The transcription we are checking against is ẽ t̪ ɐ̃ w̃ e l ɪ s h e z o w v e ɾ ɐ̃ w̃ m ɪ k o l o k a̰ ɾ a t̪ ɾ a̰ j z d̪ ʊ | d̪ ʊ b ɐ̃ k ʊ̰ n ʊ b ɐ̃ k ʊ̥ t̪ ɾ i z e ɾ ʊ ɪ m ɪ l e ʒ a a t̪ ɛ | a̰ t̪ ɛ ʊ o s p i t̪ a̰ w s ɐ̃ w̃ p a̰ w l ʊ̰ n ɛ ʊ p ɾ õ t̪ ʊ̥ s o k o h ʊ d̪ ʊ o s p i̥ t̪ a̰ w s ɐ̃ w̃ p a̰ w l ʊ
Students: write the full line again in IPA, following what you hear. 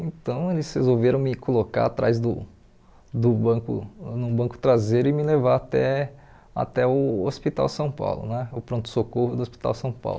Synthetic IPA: ẽ t̪ ɐ̃ w̃ e l ɪ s h e z o w v e ɾ ɐ̃ w̃ m ɪ k o l o k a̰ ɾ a t̪ ɾ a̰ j z d̪ ʊ | d̪ ʊ b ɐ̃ k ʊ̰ n ʊ b ɐ̃ k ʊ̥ t̪ ɾ a z e ɾ ʊ ɪ m ɪ l e v a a t̪ ɛ | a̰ t̪ ɛ ʊ o s p i t̪ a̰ w s ɐ̃ w̃ p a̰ w l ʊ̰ n ɛ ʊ p ɾ õ t̪ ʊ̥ s o k o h ʊ d̪ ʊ o s p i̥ t̪ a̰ w s ɐ̃ w̃ p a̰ w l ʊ